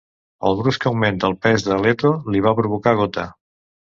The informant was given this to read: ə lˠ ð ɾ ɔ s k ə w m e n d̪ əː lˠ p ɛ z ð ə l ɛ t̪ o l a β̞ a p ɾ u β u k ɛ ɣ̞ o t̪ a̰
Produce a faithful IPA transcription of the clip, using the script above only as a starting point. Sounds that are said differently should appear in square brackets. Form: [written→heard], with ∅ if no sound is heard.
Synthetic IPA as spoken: ə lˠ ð ɾ [ɔ→u] s k ə w m e n [d̪→t̪] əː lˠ p ɛ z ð ə l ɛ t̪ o l [a→i] β̞ a p ɾ u β u k [ɛ→a] ɣ̞ o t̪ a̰